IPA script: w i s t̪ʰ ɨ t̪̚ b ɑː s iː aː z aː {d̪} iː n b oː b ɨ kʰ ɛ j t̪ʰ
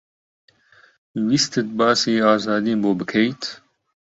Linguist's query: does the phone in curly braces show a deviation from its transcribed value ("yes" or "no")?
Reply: no